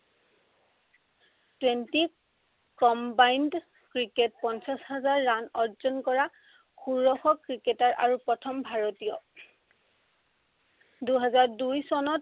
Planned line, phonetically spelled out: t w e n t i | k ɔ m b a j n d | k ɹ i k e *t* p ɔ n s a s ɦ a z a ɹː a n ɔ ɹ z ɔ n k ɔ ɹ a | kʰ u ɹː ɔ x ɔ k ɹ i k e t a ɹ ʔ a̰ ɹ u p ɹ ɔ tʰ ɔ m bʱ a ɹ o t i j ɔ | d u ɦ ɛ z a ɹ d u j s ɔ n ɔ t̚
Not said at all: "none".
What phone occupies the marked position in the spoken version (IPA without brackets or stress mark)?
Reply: t